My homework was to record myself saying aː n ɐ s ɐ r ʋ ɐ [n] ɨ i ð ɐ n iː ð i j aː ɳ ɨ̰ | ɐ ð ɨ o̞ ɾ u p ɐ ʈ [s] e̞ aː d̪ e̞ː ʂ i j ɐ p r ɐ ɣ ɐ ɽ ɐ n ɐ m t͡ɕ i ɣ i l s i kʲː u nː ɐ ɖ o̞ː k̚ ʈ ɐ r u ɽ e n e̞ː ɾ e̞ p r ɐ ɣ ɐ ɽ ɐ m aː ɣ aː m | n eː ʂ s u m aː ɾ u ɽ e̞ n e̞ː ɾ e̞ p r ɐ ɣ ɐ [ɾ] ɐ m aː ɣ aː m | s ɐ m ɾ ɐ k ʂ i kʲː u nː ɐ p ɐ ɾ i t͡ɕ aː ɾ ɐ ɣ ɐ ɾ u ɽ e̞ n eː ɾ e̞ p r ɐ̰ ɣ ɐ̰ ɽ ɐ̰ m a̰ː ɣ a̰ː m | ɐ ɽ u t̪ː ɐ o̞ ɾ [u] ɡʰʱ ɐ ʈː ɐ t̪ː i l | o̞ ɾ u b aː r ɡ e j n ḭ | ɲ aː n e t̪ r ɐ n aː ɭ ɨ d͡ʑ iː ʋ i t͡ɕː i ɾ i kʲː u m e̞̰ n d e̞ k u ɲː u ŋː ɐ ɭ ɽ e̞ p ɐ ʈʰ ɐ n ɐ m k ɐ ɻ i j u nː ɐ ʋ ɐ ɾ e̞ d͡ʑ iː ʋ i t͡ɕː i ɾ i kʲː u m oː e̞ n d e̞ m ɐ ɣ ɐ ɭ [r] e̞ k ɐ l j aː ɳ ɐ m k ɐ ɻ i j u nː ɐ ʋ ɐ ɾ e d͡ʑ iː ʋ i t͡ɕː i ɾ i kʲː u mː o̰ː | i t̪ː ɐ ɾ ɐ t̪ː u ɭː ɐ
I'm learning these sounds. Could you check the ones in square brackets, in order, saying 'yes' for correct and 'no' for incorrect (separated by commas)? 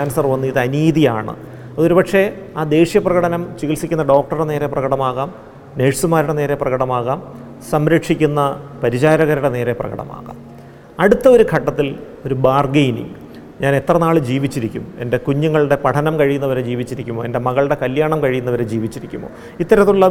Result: no, no, no, yes, no